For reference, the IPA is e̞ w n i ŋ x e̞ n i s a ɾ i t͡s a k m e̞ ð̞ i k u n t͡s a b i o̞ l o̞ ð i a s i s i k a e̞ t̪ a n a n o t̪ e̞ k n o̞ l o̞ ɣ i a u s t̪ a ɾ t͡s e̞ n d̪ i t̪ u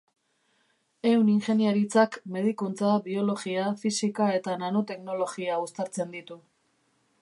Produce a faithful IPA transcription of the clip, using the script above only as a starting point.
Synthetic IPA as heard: e̞ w n i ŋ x e̞ n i a ɾ i t͡s a k m e̞ ð̞ i k u n t͡s a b i o̞ l o̞ ɣ i a f i s i k a e̞ t̪ a n a n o t̪ e̞ k n o̞ l o̞ ɣ i a u s t̪ a ɾ t͡s e̞ n d̪ i t̪ u